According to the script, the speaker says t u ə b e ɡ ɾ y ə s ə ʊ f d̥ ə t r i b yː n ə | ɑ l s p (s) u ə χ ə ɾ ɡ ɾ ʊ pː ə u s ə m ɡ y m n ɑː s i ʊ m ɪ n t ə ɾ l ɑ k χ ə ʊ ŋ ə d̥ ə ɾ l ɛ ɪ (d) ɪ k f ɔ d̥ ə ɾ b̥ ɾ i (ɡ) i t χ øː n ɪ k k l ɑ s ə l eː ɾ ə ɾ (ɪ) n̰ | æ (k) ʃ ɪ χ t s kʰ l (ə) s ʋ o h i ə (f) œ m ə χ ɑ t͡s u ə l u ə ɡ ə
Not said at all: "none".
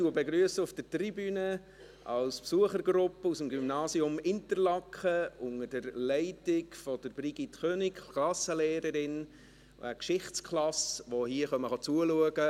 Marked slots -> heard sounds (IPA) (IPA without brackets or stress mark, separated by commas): s, t, ɡ, ɪ, k, ɑ, χ